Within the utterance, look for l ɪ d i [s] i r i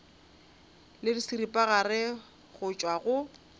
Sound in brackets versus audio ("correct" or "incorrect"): correct